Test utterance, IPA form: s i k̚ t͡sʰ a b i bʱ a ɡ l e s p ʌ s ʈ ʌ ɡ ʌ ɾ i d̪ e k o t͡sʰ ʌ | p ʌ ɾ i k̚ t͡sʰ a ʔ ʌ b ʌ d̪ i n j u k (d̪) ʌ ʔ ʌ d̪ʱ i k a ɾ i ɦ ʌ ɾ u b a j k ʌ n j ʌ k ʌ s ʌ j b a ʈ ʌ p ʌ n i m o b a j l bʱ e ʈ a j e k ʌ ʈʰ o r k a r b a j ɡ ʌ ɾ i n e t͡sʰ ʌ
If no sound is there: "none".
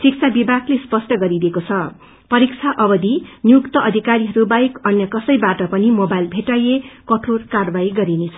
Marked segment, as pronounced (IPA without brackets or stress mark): t̪